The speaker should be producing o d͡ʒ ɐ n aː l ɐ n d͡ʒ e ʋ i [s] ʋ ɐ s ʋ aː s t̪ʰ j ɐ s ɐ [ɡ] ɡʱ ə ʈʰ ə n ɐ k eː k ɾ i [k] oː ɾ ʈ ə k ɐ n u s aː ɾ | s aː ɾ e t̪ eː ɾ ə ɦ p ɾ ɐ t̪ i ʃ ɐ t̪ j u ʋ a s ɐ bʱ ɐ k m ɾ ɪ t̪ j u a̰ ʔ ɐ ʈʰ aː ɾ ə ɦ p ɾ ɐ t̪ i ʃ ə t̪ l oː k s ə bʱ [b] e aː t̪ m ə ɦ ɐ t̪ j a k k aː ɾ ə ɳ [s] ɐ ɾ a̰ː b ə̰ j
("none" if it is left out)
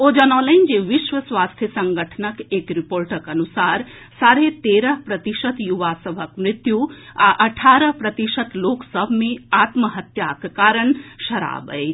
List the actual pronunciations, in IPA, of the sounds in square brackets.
ʃ, ŋ, p, m, ʃ

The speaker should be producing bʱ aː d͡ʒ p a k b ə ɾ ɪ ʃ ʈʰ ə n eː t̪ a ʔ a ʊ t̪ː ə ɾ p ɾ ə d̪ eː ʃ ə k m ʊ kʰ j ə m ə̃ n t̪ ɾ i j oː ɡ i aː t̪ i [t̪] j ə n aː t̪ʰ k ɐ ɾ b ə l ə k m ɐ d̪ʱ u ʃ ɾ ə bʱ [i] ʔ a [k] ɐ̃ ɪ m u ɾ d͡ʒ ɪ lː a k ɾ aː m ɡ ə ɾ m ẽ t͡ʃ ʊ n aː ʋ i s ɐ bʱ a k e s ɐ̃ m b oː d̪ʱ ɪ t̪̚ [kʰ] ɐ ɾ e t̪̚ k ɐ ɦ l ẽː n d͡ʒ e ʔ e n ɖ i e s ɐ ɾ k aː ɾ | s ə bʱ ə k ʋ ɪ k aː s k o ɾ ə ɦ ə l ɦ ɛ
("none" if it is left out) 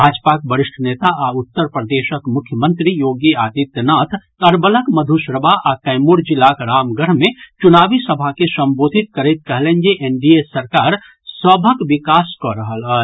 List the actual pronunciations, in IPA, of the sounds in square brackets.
t̪, a, k, k

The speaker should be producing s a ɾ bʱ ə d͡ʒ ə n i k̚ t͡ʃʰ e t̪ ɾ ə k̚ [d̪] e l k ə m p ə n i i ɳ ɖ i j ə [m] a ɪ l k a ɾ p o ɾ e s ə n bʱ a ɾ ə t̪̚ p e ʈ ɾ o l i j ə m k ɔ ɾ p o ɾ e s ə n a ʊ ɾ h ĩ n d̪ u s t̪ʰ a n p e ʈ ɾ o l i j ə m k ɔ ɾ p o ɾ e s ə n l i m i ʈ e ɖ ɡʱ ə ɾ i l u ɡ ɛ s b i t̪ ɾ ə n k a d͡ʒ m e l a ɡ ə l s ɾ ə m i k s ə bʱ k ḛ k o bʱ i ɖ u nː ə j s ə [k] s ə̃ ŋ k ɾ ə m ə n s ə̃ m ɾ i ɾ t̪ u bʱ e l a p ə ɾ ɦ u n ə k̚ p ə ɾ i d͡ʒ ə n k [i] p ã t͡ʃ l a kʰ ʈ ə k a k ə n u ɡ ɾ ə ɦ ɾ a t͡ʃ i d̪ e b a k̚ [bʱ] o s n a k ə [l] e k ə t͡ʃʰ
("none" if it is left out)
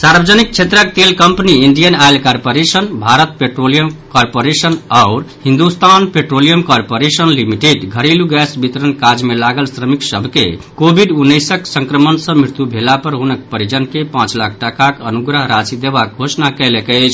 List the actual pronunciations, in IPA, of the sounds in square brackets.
t̪, n, k, e, ɡʱ, l

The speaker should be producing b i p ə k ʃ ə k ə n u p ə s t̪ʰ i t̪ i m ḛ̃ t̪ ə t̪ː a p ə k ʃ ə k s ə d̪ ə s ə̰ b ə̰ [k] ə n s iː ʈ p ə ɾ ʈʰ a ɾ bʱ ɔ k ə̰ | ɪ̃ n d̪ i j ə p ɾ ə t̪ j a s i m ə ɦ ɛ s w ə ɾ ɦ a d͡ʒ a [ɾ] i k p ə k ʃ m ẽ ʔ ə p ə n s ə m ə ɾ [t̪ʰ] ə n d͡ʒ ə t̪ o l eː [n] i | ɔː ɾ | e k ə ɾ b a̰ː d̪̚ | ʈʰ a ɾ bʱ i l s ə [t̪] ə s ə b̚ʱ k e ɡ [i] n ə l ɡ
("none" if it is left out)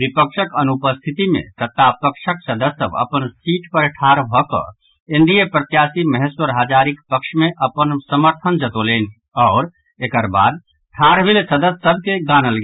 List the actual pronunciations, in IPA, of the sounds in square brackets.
p, ɾ, t̪ʰ, n, d̪, a

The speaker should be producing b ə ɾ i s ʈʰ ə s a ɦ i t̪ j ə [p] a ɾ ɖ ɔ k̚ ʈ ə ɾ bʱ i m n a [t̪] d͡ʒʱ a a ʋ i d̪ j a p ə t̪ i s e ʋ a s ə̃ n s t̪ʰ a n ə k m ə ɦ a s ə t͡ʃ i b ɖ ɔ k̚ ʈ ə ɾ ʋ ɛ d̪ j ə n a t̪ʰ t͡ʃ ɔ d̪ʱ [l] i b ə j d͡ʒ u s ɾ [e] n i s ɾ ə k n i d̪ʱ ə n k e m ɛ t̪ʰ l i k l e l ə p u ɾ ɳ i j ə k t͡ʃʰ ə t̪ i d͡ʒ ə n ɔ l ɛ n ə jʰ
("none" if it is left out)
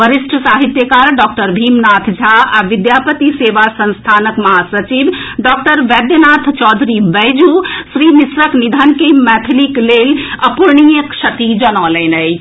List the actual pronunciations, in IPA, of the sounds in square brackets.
k, t̪ʰ, ɾ, i

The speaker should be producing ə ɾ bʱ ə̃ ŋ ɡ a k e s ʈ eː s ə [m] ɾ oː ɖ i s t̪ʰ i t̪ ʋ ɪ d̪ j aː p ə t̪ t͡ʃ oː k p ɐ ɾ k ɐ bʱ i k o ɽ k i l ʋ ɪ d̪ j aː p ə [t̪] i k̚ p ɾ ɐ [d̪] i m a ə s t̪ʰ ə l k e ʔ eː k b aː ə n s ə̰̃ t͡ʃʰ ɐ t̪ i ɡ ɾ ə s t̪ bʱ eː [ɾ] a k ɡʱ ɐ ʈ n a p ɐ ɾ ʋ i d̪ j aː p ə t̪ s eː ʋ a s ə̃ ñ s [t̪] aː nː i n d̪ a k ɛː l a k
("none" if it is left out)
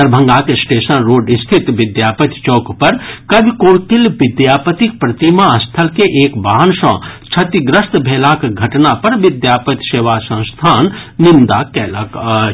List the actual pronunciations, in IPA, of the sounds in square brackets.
n, t̪, t̪, l, t̪ʰ

